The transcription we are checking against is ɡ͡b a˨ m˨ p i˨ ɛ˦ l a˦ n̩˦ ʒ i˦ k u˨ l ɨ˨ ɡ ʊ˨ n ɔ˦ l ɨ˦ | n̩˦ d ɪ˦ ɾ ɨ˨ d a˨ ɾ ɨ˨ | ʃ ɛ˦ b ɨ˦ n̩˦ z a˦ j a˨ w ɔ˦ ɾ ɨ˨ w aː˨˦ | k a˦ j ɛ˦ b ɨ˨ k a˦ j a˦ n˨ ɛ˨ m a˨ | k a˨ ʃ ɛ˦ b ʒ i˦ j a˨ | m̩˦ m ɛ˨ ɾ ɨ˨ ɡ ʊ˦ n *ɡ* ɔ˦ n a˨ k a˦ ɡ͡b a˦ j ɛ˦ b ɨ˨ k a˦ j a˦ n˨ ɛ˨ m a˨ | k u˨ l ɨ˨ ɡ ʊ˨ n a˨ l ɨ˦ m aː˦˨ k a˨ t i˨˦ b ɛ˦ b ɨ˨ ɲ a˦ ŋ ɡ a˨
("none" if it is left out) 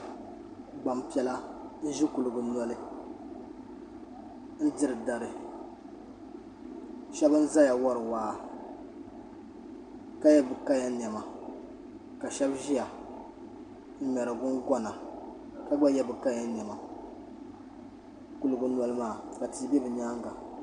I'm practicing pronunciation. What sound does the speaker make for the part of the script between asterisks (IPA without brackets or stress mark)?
ɡ